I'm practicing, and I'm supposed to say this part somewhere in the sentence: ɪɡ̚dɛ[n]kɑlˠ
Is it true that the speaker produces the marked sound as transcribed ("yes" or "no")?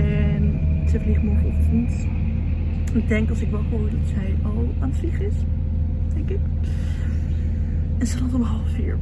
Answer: no